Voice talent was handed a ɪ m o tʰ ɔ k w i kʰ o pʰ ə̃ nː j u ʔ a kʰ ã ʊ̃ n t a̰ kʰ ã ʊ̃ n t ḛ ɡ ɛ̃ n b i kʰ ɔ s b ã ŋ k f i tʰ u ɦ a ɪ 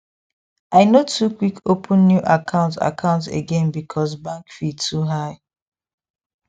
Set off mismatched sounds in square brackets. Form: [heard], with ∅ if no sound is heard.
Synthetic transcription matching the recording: a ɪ [n] o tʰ [u] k w i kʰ o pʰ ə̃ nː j u ʔ a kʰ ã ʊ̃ n t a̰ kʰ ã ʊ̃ n t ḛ ɡ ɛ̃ n b i kʰ ɔ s b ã ŋ k f i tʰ u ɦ a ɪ

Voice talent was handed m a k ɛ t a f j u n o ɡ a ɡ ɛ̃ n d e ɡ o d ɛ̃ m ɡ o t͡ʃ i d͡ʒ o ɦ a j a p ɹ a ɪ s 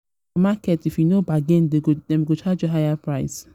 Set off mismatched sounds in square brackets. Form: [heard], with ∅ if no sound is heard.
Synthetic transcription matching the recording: m a k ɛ t [i] f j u n o [b] a ɡ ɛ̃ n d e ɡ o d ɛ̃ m ɡ o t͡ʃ [a] d͡ʒ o ɦ a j a p ɹ a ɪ s

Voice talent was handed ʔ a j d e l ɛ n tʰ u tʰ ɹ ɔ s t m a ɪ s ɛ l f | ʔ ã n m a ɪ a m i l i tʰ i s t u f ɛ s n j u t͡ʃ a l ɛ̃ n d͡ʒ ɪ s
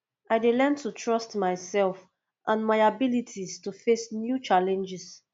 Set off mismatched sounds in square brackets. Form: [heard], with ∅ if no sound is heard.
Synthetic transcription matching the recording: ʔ a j d e l ɛ n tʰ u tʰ ɹ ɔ s t m a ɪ s ɛ l f | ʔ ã n m a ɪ a [b] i l i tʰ i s t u f [e] s n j u t͡ʃ a l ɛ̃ n d͡ʒ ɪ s

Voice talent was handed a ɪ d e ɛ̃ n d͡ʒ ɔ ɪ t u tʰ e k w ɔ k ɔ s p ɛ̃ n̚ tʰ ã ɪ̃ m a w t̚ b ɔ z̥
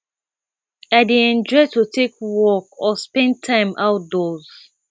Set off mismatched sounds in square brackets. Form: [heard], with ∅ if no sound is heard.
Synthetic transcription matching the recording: a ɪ d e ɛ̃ n d͡ʒ ɔ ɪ t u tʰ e k w ɔ k ɔ s p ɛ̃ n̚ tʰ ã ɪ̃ m a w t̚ [d] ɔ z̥

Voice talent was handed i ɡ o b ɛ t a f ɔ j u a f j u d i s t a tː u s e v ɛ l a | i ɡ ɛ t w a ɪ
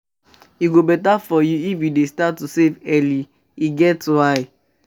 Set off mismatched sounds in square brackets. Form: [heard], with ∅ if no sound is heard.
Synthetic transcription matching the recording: i ɡ o b ɛ t a f ɔ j u [i] f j u d [e] s t a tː u s e v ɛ l [i] | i ɡ ɛ t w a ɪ

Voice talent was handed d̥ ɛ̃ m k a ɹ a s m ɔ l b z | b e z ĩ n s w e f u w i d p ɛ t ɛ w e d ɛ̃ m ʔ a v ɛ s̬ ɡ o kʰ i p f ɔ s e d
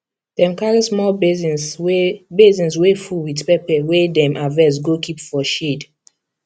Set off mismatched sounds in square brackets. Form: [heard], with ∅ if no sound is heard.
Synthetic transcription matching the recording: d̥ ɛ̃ m k a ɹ [i] s m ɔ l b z | b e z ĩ n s w e f u w i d p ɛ [p] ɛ w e d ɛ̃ m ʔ a v ɛ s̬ ɡ o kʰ i p f ɔ [ʃ] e d

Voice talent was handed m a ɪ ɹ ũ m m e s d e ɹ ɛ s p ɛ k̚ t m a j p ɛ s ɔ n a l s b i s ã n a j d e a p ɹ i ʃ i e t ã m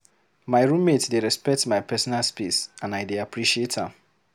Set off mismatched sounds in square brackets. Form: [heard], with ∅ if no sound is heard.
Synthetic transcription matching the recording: m a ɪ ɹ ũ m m e [t] d e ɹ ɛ s p ɛ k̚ t m a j p ɛ s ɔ n a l s [p] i s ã n a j d e a p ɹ i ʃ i e t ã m

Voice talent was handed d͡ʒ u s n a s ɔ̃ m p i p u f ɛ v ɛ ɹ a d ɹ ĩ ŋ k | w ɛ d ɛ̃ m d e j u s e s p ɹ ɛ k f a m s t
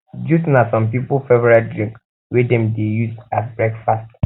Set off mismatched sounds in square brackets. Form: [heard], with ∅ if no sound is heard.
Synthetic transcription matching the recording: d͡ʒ u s n a s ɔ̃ m p i p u f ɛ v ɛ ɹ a d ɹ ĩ ŋ k | w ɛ d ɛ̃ m d e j u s [a] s [b] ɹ ɛ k f a [∅] s t

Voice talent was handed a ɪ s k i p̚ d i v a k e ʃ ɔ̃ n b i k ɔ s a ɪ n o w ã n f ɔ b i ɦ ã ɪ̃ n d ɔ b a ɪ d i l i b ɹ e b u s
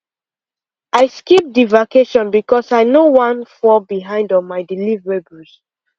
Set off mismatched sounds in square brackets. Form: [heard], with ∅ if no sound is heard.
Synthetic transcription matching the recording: a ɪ s k i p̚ d i v a k e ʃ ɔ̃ n b i k ɔ s a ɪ n o w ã n f ɔ b i ɦ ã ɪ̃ n d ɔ [m] a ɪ d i l i [v] ɹ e b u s

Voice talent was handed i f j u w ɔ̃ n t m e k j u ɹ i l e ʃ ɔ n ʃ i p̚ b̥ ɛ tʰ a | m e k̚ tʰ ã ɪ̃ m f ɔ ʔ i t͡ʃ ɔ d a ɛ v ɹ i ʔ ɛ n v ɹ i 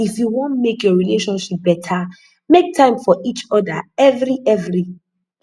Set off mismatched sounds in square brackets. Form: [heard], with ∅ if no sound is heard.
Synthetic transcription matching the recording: i f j u w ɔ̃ n t m e k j [ɔ] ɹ i l e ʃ [ɔ̃] n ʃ i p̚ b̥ ɛ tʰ a | m e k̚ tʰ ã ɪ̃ m f ɔ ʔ i t͡ʃ ɔ d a ɛ v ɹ i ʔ ɛ [∅] v ɹ i

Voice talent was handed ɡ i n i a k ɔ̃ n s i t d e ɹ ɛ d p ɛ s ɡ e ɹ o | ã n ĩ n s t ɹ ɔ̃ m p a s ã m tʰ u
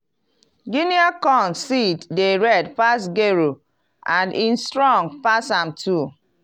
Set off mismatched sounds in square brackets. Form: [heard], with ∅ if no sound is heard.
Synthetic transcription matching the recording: ɡ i n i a k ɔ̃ n s i t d e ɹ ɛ d p [a] s ɡ e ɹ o | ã n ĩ n s t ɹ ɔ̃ [ŋ] p a s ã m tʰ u

